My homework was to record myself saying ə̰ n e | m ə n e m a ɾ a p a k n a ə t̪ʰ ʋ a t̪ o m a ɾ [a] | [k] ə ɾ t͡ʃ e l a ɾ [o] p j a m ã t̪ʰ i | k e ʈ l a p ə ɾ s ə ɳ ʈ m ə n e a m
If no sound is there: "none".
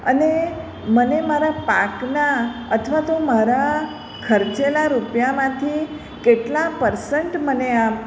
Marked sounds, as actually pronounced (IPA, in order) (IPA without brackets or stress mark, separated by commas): a, kʰ, u